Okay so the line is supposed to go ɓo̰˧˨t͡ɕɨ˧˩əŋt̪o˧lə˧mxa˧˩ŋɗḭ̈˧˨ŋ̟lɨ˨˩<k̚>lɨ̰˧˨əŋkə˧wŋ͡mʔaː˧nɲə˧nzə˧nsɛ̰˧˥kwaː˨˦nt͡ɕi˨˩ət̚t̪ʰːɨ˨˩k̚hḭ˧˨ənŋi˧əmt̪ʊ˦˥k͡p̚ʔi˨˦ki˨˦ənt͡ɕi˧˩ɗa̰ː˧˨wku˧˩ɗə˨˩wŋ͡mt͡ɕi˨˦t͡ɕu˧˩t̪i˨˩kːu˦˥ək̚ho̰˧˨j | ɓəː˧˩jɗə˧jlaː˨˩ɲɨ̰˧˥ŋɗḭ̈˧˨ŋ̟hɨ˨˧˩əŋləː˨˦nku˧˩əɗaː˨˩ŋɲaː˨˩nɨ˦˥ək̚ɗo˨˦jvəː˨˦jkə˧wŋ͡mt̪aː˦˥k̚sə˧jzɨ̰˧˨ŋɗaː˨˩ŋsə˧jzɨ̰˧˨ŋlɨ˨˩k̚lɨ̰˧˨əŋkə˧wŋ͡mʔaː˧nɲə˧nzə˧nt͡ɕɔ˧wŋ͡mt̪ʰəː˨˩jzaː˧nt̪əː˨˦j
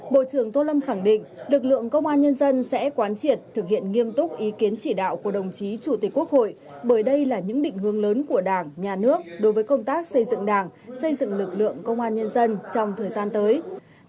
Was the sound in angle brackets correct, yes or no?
yes